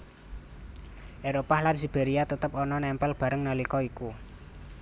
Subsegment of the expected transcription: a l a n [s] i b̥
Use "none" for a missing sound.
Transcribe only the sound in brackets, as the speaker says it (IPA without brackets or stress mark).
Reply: s